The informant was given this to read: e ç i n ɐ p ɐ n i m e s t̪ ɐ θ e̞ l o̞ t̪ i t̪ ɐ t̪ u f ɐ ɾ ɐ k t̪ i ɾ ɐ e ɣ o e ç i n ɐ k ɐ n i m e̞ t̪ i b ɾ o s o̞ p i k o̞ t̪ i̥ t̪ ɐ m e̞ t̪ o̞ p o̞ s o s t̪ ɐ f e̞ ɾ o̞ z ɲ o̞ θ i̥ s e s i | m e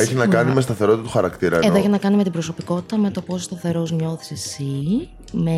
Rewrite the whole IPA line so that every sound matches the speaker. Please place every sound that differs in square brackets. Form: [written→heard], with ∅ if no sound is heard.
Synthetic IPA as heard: e ç i n ɐ [p→k] ɐ n i m e s t̪ ɐ θ e̞ [l→ɾ] o̞ t̪ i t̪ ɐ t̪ u [f→x] ɐ ɾ ɐ k t̪ i ɾ ɐ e [ɣ→ð] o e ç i n ɐ k ɐ n i m e̞ t̪ i b ɾ o s o̞ p i k o̞ t̪ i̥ t̪ ɐ m e̞ t̪ o̞ p o̞ s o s t̪ ɐ [f→θ] e̞ ɾ o̞ z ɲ o̞ θ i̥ s e s i | m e